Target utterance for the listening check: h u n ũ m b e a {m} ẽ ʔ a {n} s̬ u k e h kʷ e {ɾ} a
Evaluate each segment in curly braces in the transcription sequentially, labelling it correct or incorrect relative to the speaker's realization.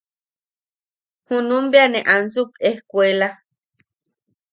incorrect: n, correct, incorrect: l

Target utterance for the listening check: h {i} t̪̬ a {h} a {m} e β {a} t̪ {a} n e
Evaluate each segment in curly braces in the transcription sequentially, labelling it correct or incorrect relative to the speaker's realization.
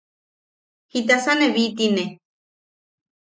correct, incorrect: s, incorrect: n, incorrect: i, incorrect: i

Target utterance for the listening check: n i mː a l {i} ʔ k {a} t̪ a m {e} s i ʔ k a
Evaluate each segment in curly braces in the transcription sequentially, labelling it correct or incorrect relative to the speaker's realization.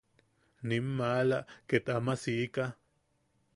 incorrect: a, incorrect: e, incorrect: a

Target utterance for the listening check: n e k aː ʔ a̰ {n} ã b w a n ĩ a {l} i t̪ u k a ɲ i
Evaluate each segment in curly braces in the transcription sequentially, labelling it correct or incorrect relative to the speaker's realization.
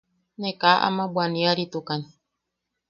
incorrect: m, incorrect: ɾ

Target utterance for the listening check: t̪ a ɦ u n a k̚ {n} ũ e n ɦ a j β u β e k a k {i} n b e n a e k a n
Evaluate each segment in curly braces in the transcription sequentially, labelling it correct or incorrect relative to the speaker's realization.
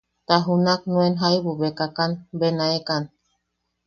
correct, incorrect: a

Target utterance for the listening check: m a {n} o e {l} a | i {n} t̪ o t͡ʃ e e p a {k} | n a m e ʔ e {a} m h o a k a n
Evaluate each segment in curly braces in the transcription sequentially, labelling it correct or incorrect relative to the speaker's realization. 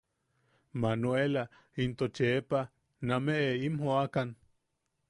correct, correct, correct, incorrect: none, incorrect: i

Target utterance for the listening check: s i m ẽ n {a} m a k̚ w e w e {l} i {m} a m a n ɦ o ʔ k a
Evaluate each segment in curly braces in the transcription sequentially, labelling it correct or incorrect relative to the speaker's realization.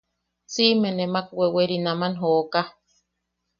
incorrect: e, incorrect: ɾ, incorrect: n

